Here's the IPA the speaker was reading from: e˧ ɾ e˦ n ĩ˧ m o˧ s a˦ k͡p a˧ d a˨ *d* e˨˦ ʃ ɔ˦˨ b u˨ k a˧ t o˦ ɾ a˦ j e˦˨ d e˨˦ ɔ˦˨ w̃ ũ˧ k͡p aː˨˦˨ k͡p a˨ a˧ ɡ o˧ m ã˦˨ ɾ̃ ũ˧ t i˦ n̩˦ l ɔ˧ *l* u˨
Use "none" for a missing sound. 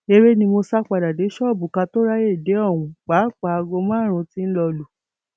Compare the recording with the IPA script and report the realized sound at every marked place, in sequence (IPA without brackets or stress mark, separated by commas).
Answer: d, l